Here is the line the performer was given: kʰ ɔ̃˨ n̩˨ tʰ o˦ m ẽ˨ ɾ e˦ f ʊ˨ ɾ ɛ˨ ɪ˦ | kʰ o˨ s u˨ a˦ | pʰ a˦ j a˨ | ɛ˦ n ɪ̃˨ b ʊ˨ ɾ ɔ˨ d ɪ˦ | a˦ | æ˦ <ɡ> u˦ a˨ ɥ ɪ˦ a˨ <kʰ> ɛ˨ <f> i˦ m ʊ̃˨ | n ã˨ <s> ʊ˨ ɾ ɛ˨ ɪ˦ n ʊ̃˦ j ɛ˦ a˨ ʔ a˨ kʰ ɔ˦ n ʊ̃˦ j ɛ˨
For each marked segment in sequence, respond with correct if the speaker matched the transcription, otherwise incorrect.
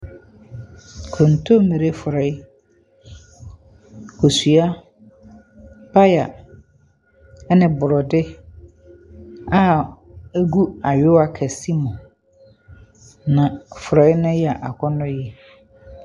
correct, correct, incorrect: s, incorrect: f

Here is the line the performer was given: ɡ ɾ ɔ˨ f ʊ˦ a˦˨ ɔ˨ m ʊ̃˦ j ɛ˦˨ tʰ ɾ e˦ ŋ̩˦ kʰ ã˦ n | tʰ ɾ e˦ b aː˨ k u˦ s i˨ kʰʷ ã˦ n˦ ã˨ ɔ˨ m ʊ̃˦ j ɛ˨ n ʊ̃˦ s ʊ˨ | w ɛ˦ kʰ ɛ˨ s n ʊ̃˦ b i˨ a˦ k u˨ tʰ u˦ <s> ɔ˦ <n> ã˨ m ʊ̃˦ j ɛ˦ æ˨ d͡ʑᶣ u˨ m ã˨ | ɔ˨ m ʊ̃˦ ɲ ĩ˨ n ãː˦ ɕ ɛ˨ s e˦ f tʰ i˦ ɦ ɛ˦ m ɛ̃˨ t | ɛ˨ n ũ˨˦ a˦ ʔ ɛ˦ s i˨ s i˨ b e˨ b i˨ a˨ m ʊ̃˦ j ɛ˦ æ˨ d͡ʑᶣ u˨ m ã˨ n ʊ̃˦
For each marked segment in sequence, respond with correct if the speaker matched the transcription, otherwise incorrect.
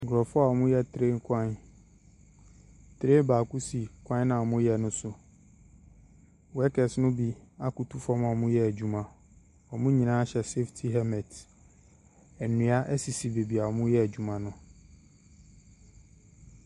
incorrect: f, incorrect: m

